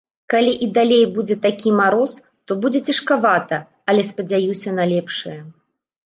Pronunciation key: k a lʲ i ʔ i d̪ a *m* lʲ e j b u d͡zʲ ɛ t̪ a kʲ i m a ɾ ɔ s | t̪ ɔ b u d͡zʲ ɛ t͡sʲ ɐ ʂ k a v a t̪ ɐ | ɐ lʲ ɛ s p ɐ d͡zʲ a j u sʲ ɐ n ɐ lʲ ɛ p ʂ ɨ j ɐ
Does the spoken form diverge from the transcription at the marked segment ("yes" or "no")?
yes